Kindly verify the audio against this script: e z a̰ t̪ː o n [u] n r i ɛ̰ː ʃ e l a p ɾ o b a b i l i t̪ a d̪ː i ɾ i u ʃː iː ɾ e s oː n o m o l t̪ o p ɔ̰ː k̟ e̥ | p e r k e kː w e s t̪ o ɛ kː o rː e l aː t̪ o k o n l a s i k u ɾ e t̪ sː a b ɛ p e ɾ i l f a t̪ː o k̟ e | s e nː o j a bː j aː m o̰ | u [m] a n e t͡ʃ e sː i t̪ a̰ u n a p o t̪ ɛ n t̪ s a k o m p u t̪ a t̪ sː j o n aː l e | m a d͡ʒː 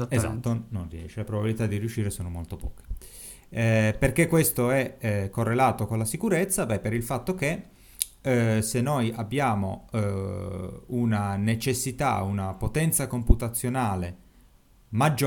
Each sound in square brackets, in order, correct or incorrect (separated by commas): incorrect, incorrect